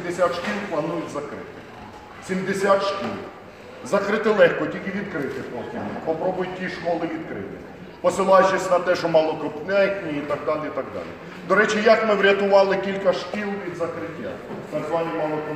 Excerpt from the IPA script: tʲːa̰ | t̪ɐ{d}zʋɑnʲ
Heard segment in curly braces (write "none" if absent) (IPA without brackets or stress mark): ɡ